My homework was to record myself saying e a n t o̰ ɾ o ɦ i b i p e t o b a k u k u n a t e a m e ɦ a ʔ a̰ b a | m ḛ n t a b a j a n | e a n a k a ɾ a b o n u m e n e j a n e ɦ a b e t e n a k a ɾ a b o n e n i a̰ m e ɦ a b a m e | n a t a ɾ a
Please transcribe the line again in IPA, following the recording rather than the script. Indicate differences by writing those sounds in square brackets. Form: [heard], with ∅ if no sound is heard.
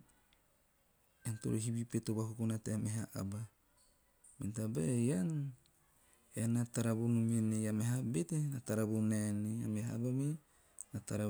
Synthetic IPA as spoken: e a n t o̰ ɾ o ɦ i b i p e t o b a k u k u n a t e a m e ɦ a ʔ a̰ b a | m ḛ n t a b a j a n | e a n a [t] a ɾ a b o n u m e n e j a [m] e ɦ a b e t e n a [t] a ɾ a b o n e n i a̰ m e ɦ a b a m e | n a t a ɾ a